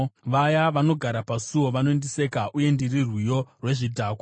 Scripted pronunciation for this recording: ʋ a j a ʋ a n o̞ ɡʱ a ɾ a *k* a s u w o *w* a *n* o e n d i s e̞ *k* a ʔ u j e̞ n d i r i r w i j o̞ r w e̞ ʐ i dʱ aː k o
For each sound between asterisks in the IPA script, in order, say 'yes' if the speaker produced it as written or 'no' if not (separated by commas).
no, no, yes, yes